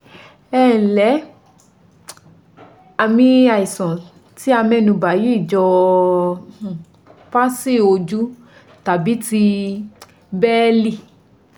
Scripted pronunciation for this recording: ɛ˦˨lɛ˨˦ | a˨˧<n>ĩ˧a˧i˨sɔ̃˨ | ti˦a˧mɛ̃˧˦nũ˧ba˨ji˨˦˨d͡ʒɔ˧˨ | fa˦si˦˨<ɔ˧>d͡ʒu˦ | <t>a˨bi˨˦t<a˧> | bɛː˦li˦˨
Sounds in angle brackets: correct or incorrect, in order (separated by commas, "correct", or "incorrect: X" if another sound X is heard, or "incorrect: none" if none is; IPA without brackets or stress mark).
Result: incorrect: m, incorrect: o˧, correct, incorrect: i˧